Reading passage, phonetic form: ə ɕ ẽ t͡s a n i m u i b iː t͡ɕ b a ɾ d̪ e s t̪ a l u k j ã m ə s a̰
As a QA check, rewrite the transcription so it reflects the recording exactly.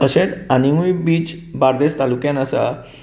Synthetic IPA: ə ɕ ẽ t͡s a n i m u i b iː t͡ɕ b a ɾ d̪ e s t̪ a l u k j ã n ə s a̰